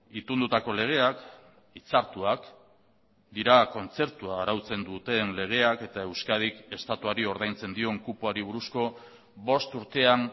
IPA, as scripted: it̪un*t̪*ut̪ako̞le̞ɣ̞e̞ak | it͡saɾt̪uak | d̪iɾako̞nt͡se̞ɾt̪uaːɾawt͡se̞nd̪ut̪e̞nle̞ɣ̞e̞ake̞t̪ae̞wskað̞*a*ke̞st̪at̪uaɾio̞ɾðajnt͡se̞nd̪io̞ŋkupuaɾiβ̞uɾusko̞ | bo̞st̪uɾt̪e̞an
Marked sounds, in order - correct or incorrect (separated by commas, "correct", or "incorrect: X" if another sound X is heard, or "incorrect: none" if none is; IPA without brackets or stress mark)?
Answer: incorrect: d̪, incorrect: i